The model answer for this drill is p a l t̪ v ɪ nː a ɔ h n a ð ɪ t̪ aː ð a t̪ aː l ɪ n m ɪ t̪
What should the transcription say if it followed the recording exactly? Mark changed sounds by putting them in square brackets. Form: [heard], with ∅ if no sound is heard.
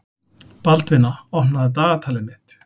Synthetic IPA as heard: p a l t̪ v ɪ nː a ɔ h n a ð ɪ t̪ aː [ɣ] a [t̪ʰ] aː l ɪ n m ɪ t̪